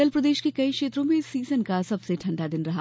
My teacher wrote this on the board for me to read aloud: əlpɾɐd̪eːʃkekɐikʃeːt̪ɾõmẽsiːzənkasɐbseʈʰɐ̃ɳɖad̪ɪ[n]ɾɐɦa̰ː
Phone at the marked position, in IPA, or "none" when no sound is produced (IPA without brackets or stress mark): n